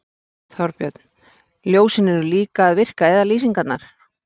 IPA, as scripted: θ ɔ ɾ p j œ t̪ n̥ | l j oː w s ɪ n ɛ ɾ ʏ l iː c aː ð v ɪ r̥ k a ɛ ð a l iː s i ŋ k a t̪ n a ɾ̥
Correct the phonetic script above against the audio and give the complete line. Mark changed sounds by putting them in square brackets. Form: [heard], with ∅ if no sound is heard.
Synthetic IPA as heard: θ ɔ ɾ p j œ t̪ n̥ | l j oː w s ɪ n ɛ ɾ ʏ l iː [k] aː ð v ɪ r̥ k a ɛ ð a l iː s i ŋ k a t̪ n a ɾ̥